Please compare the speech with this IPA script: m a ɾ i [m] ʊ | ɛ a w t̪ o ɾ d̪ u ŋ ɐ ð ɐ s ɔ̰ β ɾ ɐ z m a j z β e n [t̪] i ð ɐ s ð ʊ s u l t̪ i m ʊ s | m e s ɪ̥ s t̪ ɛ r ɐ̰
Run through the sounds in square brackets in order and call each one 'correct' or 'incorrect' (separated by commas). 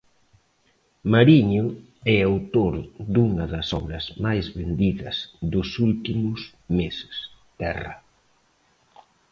incorrect, incorrect